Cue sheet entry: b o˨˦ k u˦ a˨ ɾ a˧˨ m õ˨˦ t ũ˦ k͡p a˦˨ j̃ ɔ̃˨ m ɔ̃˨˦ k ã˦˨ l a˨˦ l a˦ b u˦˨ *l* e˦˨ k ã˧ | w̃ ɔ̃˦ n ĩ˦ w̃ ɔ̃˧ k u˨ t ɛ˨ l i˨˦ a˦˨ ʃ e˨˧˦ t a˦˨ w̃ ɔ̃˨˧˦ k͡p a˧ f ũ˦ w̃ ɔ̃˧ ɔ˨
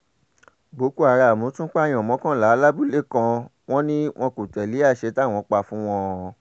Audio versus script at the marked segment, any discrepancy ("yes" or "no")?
no